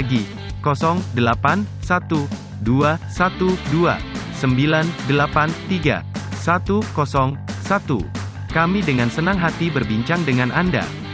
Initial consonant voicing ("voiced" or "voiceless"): voiced